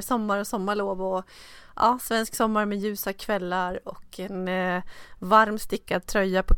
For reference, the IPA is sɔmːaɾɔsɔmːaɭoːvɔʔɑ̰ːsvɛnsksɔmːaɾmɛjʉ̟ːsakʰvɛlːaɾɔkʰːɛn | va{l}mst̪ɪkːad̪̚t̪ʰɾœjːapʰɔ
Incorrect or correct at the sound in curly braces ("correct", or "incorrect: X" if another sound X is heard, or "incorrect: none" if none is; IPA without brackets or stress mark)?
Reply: incorrect: ɾ